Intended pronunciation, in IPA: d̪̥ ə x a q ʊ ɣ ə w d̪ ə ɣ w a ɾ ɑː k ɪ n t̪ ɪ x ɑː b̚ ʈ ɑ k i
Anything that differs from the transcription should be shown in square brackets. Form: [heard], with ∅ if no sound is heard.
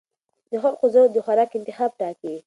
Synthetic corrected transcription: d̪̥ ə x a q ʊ [z] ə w d̪ ə [x] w a ɾ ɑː k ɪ n t̪ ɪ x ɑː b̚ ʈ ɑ k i